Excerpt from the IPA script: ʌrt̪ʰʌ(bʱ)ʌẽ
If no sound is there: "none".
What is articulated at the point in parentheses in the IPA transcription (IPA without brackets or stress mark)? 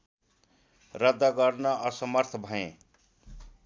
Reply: bʱ